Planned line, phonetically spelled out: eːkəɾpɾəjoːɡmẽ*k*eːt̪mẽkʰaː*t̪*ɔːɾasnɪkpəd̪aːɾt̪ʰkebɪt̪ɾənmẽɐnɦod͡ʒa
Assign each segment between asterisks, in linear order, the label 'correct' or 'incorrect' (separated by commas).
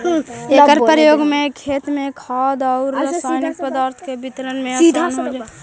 incorrect, incorrect